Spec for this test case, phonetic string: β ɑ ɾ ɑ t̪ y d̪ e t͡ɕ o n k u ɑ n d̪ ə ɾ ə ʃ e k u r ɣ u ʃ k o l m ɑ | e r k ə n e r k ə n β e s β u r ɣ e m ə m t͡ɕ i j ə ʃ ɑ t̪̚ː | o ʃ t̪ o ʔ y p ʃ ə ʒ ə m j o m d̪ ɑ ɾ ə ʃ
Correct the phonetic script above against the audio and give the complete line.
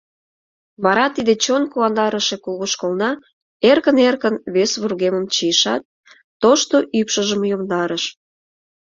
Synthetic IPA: β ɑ ɾ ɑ t̪ i d̪ e t͡ɕ o n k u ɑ n d̪ ɑ ɾ ə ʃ e k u l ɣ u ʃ k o l n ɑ | e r k ə n e r k ə n β e s β u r ɣ e m ə m t͡ɕ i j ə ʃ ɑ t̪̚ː | o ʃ t̪ o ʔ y p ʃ ə ʒ ə m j o m d̪ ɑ ɾ ə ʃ